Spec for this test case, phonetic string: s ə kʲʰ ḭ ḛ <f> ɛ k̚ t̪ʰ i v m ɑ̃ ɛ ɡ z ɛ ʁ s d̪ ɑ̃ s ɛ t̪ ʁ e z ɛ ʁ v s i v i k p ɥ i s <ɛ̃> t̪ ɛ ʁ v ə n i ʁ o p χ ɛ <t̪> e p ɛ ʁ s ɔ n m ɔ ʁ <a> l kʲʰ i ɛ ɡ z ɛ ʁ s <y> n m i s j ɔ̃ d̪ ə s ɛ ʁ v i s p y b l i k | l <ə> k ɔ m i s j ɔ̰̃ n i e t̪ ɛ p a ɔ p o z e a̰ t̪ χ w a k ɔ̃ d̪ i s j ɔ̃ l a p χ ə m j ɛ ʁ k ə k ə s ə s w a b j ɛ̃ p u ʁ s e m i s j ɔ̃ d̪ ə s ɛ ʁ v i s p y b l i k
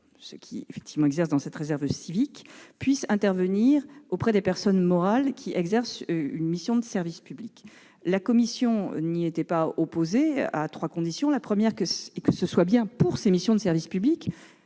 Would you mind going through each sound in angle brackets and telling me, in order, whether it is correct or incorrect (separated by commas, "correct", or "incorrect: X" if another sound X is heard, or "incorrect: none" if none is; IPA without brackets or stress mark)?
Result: correct, correct, incorrect: d̪, correct, correct, incorrect: a